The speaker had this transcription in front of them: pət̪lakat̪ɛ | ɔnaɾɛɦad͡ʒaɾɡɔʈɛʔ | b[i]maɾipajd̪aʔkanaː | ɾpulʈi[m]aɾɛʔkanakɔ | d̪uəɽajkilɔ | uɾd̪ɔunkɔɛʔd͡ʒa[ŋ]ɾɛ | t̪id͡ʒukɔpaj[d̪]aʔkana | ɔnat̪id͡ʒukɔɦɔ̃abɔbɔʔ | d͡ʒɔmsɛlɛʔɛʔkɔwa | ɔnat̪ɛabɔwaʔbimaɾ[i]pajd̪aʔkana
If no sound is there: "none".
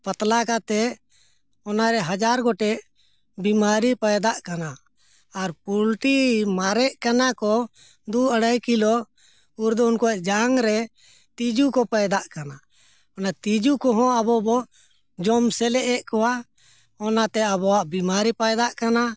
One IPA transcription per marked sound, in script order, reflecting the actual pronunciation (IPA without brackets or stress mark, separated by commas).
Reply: i, m, ŋ, d̪, i